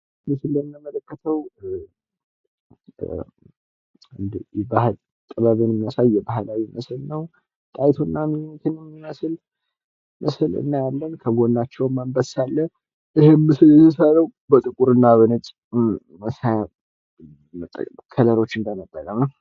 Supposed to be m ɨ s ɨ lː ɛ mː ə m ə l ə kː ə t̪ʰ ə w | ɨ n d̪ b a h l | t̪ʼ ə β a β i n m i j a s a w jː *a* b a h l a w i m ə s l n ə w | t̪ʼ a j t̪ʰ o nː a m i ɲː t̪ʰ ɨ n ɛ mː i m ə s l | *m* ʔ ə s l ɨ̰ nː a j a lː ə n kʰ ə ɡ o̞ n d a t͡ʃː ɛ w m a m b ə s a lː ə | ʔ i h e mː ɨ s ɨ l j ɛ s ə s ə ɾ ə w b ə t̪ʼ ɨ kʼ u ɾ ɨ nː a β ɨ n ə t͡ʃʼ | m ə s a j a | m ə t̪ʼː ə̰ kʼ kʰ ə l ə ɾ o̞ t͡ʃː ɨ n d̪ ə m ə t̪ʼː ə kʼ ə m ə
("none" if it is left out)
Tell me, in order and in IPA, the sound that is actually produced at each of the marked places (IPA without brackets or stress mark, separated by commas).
ɛ, m